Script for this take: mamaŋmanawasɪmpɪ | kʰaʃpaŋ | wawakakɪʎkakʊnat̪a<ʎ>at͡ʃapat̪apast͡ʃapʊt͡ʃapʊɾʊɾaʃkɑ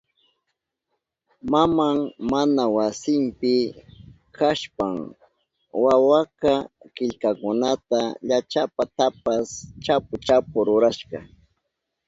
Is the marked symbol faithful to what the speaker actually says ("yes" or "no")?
yes